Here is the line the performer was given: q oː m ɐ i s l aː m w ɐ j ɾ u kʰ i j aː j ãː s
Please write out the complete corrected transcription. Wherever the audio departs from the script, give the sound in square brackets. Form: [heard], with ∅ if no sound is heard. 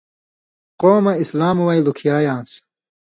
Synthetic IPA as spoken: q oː m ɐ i s l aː m w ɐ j [l] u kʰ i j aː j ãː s